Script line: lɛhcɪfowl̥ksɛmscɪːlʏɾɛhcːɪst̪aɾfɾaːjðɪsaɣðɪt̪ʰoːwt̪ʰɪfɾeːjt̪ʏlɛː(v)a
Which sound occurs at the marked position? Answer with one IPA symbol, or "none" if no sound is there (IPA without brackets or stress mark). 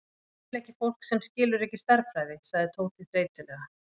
ɣ